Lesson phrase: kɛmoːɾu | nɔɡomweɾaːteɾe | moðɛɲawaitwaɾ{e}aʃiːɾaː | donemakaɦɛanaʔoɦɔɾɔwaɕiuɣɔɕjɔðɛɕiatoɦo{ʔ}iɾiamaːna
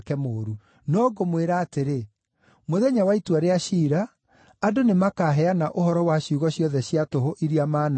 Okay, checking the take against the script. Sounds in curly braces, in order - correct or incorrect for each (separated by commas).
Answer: correct, correct